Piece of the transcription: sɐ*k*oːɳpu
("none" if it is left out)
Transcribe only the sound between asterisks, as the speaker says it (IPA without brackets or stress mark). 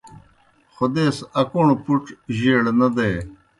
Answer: k